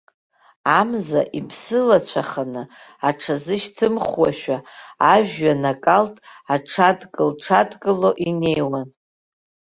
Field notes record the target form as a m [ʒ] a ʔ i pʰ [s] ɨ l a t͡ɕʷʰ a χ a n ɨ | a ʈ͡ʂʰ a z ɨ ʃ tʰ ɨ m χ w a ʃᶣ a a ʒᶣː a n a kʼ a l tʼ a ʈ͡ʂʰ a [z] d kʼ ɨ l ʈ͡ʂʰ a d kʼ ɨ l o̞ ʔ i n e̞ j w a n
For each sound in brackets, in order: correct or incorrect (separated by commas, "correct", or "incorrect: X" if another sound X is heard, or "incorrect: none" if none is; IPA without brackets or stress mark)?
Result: incorrect: z, correct, incorrect: none